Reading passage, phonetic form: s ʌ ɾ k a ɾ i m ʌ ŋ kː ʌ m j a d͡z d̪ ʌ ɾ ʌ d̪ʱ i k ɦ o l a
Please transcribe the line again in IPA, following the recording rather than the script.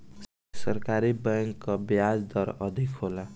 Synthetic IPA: s ʌ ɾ k a ɾ i b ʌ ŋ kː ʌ b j a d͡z d̪ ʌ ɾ ʌ d̪ʱ i k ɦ o l a